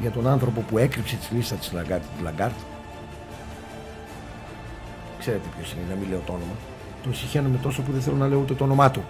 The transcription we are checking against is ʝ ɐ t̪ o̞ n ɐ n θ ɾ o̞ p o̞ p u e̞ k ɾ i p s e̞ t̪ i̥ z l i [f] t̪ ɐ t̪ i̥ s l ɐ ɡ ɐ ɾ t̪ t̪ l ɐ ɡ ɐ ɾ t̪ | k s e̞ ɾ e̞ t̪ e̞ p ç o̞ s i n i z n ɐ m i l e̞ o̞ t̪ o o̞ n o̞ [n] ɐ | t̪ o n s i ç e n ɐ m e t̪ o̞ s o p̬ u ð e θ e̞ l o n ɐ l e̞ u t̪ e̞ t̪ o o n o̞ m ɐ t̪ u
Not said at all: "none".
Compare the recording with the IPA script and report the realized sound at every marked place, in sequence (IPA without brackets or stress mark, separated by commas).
s, m